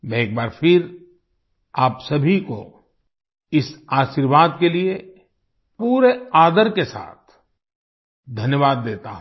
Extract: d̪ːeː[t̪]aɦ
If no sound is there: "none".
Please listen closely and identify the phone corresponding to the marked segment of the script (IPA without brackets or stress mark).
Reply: t̪